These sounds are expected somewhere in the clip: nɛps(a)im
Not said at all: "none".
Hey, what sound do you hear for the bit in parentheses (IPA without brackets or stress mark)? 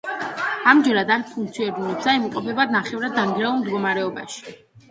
a